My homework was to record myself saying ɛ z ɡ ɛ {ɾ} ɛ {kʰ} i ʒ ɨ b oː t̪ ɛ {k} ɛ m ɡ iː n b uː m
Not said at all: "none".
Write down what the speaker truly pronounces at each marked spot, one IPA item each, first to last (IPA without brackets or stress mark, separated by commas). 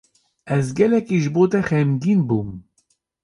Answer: l, k, x